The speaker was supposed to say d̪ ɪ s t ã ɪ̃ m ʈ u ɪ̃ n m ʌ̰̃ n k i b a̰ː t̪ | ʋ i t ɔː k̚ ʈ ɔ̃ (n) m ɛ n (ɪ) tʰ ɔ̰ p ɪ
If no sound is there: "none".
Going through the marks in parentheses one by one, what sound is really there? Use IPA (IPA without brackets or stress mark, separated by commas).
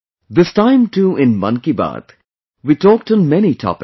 n, i